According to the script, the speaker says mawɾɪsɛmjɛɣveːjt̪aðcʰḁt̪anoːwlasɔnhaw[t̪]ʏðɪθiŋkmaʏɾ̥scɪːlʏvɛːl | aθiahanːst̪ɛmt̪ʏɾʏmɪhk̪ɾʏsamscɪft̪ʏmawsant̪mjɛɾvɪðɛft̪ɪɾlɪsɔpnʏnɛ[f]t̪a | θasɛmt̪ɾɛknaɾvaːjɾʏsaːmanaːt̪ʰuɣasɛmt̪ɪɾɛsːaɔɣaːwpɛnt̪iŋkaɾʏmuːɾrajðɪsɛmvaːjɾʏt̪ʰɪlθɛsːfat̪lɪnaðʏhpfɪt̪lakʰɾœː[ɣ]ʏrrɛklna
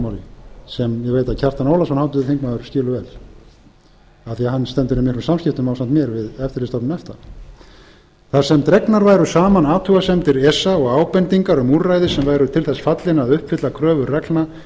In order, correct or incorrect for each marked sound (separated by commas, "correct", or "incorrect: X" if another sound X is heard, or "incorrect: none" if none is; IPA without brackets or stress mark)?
correct, correct, incorrect: v